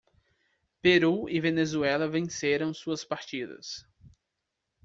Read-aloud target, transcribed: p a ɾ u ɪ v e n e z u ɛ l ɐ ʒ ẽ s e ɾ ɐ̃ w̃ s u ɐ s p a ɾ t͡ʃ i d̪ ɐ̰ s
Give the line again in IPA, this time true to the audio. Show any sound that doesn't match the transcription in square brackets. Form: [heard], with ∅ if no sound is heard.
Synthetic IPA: p [e] ɾ u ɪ v e n e z u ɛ l ɐ [v] ẽ s e ɾ ɐ̃ w̃ s u ɐ s p a ɾ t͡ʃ i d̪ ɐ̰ s